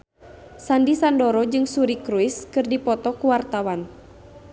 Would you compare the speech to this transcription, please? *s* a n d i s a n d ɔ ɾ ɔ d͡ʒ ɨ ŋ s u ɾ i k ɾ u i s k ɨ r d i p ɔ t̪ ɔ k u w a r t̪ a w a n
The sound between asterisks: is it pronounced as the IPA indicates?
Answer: yes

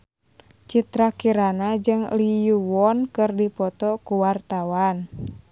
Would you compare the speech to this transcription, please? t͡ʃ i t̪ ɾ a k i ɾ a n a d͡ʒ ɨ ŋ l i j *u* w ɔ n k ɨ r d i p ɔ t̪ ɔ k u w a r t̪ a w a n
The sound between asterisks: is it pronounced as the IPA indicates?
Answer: yes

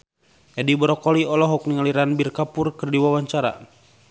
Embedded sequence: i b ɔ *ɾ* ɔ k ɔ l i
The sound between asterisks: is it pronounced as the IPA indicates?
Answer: yes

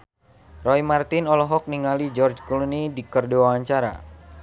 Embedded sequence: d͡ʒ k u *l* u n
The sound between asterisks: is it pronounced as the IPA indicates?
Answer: yes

